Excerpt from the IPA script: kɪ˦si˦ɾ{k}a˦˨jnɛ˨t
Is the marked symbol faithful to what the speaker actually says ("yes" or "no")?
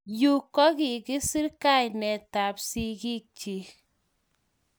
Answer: yes